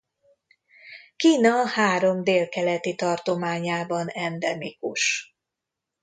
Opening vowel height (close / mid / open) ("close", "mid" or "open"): close